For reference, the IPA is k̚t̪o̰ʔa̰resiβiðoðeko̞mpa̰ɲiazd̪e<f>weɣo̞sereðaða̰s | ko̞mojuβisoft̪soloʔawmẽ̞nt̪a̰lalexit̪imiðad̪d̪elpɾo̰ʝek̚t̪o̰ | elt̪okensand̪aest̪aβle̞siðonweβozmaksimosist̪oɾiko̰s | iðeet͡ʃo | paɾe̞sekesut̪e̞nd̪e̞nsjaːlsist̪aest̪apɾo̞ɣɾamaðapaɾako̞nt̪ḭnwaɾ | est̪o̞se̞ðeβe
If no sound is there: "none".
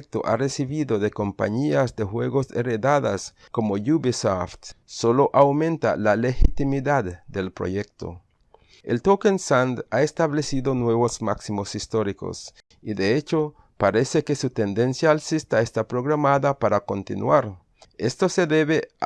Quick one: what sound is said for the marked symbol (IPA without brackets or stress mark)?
x